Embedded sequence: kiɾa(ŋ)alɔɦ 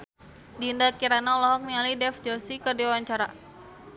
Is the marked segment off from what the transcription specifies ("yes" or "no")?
yes